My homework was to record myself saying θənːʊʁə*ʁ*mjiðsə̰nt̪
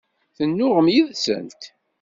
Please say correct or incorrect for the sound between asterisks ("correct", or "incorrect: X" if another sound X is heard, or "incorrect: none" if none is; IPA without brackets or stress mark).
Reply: incorrect: none